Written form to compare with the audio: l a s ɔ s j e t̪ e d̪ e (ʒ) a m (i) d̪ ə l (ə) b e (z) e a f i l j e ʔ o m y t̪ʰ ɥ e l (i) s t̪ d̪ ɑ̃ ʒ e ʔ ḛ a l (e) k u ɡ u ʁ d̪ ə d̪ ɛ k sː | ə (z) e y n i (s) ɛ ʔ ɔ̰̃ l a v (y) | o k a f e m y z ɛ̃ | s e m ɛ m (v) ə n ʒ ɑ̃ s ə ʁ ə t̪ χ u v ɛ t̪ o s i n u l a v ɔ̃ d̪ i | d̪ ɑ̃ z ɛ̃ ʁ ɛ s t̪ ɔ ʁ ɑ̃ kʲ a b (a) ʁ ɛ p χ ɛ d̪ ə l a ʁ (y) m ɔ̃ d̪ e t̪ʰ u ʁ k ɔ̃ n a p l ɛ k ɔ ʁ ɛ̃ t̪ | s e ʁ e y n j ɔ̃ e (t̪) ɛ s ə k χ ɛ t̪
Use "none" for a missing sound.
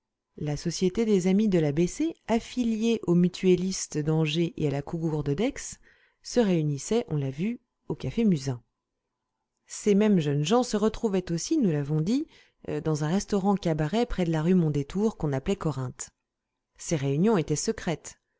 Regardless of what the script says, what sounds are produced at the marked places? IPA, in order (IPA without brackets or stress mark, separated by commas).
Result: z, i, a, s, i, a, ʁ, s, y, ʒ, a, y, t̪